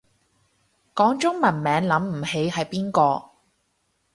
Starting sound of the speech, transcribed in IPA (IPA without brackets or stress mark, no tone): k